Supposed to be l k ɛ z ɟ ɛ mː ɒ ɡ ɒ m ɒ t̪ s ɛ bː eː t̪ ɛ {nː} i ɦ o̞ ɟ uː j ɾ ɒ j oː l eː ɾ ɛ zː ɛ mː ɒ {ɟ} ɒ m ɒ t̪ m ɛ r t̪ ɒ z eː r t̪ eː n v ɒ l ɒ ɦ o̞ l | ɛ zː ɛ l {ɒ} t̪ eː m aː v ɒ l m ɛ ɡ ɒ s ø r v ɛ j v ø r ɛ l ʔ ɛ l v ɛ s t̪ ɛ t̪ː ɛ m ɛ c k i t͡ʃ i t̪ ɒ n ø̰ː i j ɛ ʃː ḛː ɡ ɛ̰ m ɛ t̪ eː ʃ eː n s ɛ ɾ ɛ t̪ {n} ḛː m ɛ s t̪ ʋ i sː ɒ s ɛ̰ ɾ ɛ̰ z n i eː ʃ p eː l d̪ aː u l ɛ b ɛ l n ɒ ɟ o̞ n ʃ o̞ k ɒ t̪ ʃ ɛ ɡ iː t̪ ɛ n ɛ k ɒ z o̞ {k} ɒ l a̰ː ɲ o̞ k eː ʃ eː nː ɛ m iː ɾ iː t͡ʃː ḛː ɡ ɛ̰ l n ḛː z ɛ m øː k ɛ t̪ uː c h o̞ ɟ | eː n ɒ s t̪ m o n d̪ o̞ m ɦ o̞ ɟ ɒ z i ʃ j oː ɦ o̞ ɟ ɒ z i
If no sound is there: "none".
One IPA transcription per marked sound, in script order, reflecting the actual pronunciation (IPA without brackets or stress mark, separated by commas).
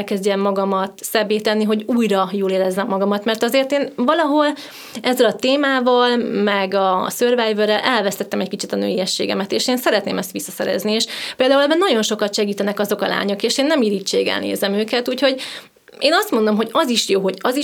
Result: nː, ɡ, ɒ, n, k